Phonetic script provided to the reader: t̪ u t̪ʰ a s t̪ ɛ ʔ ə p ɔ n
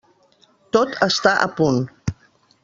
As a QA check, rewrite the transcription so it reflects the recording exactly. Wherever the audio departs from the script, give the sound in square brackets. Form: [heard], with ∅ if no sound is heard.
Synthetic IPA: t̪ [o] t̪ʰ [ə] s t̪ [a] ʔ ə p [u] n